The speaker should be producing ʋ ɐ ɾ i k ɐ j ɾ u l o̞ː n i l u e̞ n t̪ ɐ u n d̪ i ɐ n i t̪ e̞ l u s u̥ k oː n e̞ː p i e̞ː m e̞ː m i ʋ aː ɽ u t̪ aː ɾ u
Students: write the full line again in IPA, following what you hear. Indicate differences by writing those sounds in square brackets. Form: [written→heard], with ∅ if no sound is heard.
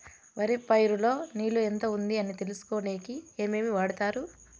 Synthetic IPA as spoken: ʋ ɐ ɾ i [k→p] ɐ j ɾ u l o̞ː n [i→iː] l u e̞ n t̪ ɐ u n d̪ i ɐ n i t̪ e̞ l u s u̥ k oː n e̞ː [p→k] i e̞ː m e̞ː m i ʋ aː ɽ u t̪ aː ɾ u